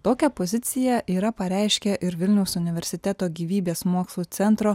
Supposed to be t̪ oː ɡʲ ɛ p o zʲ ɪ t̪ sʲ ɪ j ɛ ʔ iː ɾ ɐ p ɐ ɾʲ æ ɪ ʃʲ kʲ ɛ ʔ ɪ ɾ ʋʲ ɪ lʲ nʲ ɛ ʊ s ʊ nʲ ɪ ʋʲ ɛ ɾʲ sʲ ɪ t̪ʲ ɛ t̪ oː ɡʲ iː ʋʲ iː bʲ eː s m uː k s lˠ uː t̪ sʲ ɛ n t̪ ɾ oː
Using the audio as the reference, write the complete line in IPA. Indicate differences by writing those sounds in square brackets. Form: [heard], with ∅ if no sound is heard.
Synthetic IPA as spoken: t̪ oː [kʲ] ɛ p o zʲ ɪ t̪ sʲ ɪ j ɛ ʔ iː ɾ ɐ p ɐ ɾʲ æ ɪ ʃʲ kʲ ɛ ʔ ɪ ɾ ʋʲ ɪ lʲ nʲ ɛ ʊ s ʊ nʲ ɪ ʋʲ ɛ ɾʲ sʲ ɪ t̪ʲ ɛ t̪ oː ɡʲ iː ʋʲ iː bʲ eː s m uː k s lˠ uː t̪ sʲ ɛ n t̪ ɾ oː